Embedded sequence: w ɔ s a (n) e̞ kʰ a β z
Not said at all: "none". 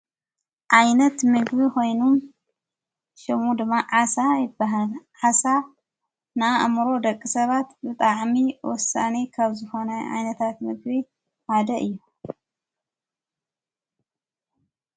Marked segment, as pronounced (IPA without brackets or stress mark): n